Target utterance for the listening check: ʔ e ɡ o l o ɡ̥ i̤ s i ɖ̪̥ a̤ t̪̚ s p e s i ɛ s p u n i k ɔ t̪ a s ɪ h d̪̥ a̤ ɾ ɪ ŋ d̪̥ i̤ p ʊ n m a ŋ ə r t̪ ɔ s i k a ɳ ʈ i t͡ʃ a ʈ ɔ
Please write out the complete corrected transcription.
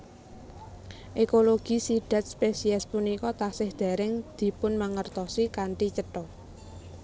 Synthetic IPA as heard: ʔ e k o l o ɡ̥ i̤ s i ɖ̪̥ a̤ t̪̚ s p e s i ɛ s p u n i k ɔ t̪ a s ɪ h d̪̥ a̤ ɾ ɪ ŋ d̪̥ i̤ p ʊ n m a ŋ ə r t̪ ɔ s i k a ɳ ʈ i t͡ʃ ə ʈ ɔ